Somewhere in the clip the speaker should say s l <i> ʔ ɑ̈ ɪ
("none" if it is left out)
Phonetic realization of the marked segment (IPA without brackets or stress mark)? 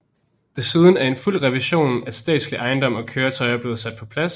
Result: i